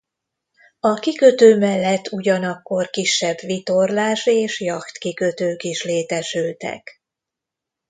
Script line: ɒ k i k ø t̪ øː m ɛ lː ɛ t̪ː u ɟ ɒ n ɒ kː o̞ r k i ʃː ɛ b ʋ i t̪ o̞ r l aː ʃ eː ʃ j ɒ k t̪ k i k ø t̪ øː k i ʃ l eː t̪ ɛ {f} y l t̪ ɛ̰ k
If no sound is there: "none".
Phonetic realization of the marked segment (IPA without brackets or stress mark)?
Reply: ʃ